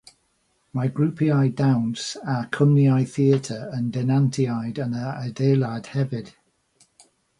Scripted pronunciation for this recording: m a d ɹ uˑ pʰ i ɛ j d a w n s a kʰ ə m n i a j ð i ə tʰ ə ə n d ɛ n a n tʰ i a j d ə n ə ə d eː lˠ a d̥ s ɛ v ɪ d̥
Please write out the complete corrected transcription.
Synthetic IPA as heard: m a ɡ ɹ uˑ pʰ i a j d a w n s a kʰ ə m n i a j θ i ə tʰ ə ə n d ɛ n a n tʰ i a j d ə n ə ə d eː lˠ a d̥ h ɛ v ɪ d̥

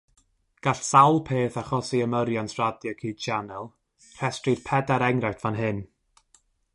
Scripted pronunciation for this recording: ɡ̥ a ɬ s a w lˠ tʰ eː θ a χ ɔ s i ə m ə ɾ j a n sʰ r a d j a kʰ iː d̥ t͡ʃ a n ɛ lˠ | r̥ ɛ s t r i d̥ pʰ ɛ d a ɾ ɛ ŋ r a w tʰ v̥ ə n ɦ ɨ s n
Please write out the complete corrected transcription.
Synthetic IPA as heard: ɡ̥ a ɬ s a w lˠ pʰ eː θ a χ ɔ s i ə m ə ɾ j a n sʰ r a d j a kʰ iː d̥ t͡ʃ a n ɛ lˠ | r̥ ɛ s t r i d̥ pʰ ɛ d a ɾ ɛ ŋ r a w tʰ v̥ a n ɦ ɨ n

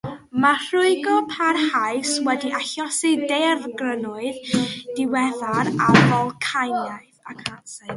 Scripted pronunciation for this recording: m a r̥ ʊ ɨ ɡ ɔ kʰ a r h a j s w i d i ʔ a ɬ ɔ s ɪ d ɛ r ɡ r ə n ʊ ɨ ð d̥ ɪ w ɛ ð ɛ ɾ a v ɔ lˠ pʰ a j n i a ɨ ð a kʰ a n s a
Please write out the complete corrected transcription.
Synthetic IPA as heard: m a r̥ ʊ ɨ ɡ ɔ pʰ a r h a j s w ɛ d i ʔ a ɬ ɔ s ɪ d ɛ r ɡ r ə n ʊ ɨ ð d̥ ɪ w ɛ ð a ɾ a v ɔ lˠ kʰ a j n j a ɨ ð a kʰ a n s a

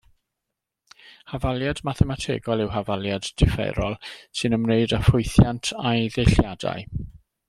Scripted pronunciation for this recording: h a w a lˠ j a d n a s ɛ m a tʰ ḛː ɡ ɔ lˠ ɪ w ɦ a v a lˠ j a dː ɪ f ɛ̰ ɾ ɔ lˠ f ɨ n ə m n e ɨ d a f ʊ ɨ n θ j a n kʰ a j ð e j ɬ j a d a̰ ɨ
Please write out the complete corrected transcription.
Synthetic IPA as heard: h a v a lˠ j a d m a θ ɛ m a tʰ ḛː ɡ ɔ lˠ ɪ w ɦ a v a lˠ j a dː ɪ f ɛ̰ ɾ ɔ lˠ s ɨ n ə m n e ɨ d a f ʊ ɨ θ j a n tʰ a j ð e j ɬ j a d a̰ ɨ

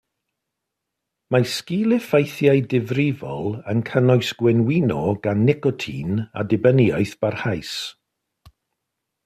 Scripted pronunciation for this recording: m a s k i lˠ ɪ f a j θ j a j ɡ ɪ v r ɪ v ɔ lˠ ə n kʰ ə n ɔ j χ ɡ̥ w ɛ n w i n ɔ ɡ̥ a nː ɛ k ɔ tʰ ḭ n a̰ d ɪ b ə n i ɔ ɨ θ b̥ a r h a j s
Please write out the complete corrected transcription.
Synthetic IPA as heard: m a s k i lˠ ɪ f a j θ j a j d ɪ v r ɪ v ɔ lˠ ə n kʰ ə n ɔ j s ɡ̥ w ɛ n w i n ɔ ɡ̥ a nː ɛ k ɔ tʰ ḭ n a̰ d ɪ b ə n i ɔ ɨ θ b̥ a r h a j s

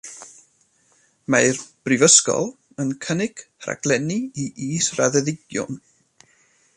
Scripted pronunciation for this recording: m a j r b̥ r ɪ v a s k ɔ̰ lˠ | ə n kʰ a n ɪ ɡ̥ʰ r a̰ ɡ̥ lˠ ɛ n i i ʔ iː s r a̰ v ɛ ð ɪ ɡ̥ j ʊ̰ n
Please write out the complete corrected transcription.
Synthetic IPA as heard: m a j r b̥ r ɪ v ə s k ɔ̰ lˠ | ə n kʰ ə n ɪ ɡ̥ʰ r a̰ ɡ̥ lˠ ɛ n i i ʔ iː s r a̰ ð ɛ ð ɪ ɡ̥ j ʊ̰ n

